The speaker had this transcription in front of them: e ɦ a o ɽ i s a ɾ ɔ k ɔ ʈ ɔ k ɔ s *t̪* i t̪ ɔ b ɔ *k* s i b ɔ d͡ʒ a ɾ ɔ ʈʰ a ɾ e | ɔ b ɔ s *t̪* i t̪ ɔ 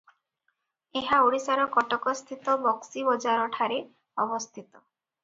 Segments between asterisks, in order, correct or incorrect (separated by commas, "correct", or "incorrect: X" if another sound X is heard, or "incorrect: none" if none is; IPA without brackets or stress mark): incorrect: t̪ʰ, correct, incorrect: t̪ʰ